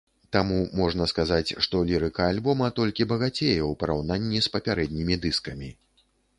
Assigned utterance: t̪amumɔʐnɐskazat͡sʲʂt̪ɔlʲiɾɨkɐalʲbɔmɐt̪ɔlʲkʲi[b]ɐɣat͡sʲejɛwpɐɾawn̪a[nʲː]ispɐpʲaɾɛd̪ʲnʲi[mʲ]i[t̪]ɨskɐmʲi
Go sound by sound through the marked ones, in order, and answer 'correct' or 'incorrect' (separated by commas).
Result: correct, correct, correct, incorrect